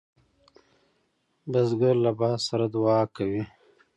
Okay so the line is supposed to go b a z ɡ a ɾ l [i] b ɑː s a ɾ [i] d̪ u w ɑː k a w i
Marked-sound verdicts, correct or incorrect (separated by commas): incorrect, incorrect